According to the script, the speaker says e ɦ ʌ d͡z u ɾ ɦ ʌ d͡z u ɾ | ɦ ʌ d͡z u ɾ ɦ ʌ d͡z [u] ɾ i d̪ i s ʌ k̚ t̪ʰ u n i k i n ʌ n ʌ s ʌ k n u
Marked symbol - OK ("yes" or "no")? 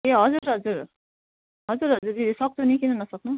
yes